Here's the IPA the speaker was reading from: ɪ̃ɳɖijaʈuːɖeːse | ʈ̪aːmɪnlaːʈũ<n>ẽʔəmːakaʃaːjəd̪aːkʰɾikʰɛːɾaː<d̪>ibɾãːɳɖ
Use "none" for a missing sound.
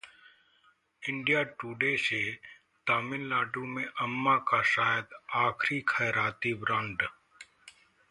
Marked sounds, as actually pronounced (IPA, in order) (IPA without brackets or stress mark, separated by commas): m, t̪